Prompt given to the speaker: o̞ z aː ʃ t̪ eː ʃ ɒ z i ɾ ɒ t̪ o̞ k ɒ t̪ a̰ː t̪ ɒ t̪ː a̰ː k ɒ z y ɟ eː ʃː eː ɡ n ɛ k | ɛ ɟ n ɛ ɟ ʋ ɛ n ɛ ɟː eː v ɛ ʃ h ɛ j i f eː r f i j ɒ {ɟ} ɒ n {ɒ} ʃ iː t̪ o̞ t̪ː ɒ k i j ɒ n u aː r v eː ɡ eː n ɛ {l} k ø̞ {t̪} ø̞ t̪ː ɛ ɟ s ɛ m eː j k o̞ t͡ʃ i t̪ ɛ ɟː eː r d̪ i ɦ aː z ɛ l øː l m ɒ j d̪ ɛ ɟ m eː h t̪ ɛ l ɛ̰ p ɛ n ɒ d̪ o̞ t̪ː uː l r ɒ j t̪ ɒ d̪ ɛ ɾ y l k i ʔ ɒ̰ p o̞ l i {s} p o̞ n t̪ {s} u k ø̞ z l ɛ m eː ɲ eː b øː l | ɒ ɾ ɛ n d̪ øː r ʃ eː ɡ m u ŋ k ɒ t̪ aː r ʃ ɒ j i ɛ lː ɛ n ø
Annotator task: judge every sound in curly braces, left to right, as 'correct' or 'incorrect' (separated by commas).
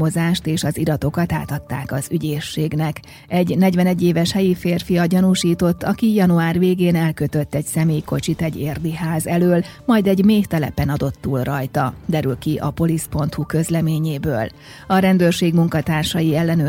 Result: correct, incorrect, correct, correct, correct, incorrect